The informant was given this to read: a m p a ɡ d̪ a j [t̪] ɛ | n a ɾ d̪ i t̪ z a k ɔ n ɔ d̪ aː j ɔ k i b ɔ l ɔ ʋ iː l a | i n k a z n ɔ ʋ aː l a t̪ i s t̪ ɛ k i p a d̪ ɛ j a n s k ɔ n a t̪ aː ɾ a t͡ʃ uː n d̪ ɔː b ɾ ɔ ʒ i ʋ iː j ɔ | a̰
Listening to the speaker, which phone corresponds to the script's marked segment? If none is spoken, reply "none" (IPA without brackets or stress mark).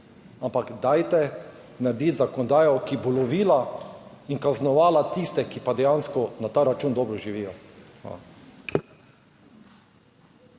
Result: t̪